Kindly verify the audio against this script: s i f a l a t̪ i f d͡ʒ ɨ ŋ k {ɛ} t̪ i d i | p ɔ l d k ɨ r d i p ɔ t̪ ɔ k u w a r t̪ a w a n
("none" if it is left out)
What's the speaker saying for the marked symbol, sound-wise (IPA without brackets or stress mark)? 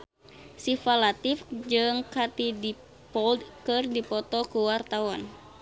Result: a